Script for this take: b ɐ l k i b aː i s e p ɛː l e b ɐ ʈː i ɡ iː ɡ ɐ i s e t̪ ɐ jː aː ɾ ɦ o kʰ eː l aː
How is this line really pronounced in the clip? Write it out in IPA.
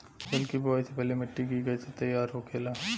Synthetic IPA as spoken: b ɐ l k i b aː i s e p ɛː l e m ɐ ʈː i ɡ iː ɡ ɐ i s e t̪ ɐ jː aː ɾ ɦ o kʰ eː l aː